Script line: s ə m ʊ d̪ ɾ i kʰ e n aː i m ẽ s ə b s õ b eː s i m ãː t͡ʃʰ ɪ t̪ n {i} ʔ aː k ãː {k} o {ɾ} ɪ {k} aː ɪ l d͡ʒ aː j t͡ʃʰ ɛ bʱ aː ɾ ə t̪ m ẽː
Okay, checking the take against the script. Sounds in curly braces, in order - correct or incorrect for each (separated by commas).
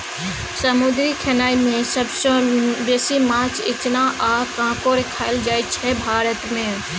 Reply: incorrect, correct, correct, incorrect